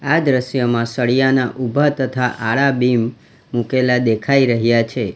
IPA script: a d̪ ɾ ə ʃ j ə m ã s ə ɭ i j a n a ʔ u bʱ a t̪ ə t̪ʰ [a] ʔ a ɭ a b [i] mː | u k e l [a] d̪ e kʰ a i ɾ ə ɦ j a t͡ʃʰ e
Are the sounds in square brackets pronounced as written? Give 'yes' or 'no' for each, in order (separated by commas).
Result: yes, yes, yes